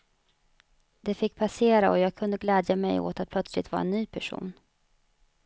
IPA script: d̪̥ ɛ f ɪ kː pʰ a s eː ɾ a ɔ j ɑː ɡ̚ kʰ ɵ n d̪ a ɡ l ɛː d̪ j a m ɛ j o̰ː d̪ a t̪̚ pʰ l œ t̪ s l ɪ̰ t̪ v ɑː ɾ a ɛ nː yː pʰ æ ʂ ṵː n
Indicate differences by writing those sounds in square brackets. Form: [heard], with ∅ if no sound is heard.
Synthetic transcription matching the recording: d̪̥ ɛ f ɪ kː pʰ a s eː ɾ a ɔ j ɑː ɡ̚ kʰ ɵ n d̪ [ə] ɡ l ɛː d̪ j a m ɛ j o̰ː [t̪] a t̪̚ pʰ l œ t̪ s l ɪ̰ t̪ v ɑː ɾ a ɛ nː yː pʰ æ ʂ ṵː n